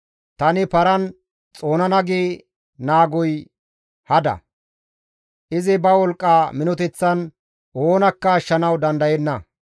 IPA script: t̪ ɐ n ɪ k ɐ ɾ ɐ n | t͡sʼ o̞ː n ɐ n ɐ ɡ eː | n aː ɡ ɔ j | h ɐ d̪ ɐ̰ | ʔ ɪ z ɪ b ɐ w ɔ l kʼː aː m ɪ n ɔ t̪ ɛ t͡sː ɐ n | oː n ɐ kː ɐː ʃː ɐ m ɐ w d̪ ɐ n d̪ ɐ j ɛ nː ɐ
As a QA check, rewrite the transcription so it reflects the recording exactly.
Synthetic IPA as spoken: t̪ ɐ n ɪ p ɐ ɾ ɐ n | t͡sʼ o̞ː n ɐ n ɐ ɡ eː | n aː ɡ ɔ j | h ɐ d̪ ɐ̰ | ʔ ɪ z ɪ b ɐ w ɔ l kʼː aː m ɪ n ɔ t̪ ɛ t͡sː ɐ n | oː n ɐ kː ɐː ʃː ɐ n ɐ w d̪ ɐ n d̪ ɐ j ɛ nː ɐ

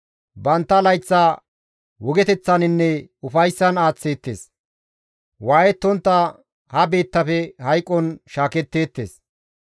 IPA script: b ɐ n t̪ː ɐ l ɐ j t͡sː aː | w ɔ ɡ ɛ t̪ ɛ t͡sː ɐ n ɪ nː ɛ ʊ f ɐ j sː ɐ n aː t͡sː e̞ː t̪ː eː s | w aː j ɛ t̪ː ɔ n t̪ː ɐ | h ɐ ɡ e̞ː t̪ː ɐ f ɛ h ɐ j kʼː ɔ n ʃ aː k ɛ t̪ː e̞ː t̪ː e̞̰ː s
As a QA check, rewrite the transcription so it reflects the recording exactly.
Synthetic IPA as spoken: b ɐ n t̪ː ɐ l ɐ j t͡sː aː | w ɔ ɡ ɛ t̪ ɛ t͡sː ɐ n ɪ nː ɛ ʊ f ɐ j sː ɐ n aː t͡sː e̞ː t̪ː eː s | w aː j ɛ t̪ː ɔ n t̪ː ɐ | h ɐ b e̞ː t̪ː ɐ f ɛ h ɐ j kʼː ɔ n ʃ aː k ɛ t̪ː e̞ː t̪ː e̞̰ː s

